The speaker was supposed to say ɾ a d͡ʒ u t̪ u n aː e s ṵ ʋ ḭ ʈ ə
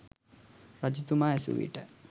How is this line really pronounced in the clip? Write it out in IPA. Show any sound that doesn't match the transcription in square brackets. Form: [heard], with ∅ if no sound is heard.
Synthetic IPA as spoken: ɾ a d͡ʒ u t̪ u [m] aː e s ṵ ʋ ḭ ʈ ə